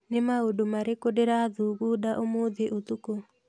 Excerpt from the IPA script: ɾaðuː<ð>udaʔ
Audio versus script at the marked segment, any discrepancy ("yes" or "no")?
yes